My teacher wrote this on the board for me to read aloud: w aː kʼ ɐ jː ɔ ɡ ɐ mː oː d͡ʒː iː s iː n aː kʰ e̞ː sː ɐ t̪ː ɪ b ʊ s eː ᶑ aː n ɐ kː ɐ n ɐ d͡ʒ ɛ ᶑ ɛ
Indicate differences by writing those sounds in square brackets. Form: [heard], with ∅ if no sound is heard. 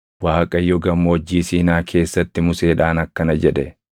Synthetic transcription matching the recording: w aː kʼ ɐ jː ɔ ɡ ɐ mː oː d͡ʒː iː s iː n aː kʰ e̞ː sː ɐ t̪ː ɪ [m] ʊ s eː ᶑ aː n ɐ kː ɐ n ɐ d͡ʒ ɛ ᶑ ɛ